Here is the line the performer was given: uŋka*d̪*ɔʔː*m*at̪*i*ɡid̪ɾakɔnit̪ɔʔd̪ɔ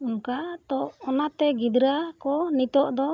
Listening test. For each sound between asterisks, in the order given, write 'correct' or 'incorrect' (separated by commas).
incorrect, incorrect, incorrect